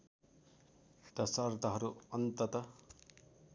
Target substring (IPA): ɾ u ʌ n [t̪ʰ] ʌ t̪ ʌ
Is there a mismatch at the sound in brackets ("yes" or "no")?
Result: yes